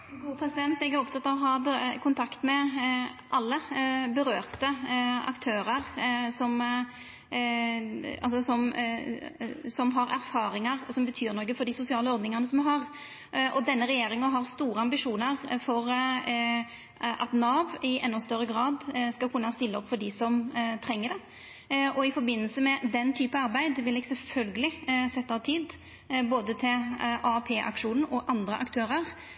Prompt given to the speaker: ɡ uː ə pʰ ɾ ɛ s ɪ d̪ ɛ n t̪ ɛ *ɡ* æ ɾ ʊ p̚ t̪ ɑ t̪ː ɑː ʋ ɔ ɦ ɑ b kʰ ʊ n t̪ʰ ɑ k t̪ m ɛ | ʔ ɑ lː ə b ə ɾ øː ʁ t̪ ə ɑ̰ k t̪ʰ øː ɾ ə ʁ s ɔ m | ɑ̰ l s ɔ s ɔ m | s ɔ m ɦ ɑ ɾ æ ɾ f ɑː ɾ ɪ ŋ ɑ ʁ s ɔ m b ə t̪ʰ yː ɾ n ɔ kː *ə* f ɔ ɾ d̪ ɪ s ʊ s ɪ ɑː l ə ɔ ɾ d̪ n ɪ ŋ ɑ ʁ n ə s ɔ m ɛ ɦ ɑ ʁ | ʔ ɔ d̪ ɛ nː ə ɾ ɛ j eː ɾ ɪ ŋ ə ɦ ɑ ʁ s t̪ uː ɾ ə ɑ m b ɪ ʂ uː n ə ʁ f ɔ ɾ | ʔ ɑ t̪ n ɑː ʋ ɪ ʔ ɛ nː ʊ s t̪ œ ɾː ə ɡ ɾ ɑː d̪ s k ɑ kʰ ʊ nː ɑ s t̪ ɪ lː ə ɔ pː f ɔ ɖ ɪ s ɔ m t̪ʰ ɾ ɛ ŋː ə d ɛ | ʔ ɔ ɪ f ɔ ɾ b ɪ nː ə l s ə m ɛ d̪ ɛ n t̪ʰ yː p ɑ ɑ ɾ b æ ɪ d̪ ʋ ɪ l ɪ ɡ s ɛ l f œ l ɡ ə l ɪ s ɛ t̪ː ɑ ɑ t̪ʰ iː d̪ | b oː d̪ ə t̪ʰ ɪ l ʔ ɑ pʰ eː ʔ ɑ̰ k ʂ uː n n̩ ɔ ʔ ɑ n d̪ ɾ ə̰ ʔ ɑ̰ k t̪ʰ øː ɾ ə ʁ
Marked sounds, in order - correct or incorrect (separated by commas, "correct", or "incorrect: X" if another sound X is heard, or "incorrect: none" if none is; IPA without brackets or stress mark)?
correct, correct